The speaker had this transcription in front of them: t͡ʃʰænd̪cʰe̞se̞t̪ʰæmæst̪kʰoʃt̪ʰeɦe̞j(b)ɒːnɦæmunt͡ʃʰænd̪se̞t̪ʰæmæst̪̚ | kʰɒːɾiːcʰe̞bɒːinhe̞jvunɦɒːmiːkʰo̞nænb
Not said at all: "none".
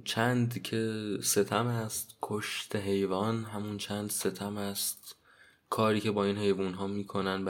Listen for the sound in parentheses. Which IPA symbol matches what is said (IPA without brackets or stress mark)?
v